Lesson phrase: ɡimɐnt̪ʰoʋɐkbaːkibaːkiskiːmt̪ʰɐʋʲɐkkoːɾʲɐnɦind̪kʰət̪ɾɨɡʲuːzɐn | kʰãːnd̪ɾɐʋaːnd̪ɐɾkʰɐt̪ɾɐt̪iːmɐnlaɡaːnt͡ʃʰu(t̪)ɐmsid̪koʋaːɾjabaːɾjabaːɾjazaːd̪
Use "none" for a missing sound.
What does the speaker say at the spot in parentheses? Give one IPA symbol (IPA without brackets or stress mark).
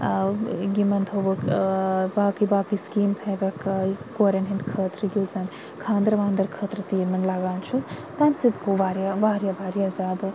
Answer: t̪